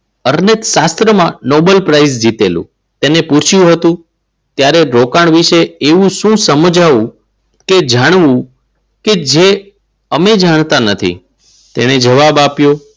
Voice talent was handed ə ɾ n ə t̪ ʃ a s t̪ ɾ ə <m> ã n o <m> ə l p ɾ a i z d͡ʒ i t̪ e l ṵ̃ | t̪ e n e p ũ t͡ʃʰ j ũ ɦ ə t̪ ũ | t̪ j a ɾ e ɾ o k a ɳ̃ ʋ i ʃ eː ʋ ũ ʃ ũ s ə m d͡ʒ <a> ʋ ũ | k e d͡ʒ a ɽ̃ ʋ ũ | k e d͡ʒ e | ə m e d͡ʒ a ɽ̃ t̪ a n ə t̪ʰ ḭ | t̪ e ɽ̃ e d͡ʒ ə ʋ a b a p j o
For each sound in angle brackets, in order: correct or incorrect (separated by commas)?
correct, incorrect, correct